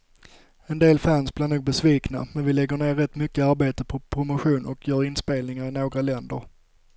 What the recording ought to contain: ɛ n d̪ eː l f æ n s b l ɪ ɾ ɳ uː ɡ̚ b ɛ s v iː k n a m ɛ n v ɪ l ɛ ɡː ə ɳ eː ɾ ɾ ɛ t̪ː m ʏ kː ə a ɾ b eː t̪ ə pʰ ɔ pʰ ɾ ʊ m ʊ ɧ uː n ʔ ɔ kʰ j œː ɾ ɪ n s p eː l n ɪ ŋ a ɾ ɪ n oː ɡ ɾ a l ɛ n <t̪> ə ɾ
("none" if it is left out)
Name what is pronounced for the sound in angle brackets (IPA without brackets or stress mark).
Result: d̪